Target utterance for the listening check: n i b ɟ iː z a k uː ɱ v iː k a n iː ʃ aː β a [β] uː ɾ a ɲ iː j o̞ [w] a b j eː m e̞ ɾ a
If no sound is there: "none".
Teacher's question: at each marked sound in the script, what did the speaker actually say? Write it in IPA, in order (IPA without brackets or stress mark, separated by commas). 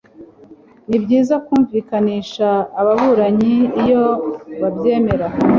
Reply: β, β